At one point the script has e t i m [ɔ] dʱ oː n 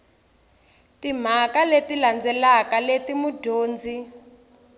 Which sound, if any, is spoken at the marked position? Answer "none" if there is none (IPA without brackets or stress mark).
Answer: u